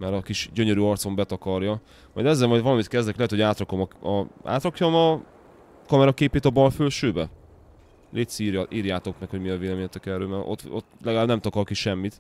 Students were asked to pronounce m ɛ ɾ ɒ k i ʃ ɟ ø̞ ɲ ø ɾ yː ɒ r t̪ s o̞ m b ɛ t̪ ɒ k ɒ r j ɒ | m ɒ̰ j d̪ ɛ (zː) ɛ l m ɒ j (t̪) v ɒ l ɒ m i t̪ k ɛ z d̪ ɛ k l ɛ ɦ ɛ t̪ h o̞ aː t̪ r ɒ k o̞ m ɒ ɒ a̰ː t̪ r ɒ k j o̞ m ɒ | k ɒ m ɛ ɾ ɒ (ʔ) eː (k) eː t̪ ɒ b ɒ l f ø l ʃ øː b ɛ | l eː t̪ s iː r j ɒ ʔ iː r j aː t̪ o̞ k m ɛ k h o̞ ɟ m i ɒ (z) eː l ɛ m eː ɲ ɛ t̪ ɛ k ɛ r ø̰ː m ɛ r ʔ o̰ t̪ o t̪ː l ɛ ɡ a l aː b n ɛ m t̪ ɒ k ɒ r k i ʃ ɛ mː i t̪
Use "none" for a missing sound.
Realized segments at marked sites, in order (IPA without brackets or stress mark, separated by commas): zː, d̪, k, p, v